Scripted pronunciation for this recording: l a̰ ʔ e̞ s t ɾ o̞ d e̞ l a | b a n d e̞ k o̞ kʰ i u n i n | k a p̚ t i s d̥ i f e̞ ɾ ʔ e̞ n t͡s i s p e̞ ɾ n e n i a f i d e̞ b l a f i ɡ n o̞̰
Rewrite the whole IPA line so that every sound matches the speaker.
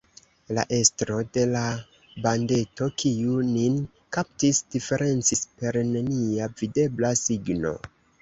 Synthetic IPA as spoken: l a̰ ʔ e̞ s t ɾ o̞ d e̞ l a | b a n d e̞ t o̞ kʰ i u n i n | k a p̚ t i s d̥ i f e̞ ɾ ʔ e̞ n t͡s i s p e̞ ɾ n e n i a v i d e̞ b l a s i ɡ n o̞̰